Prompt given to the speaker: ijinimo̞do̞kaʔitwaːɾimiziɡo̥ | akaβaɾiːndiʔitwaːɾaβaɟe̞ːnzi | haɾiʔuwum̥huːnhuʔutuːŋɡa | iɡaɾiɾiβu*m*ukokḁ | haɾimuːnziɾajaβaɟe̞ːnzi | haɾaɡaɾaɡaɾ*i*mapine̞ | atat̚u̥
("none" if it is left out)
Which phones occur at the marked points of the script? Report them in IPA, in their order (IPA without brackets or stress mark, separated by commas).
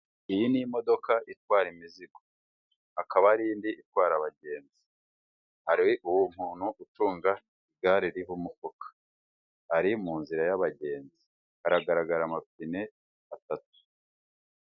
m, a